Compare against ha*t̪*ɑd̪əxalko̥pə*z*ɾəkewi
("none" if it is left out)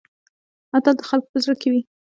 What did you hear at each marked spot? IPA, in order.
t̪, z

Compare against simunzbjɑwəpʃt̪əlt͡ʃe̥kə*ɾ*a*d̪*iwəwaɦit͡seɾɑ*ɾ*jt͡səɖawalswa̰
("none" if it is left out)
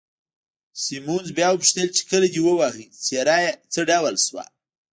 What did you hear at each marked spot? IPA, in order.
l, d̪, none

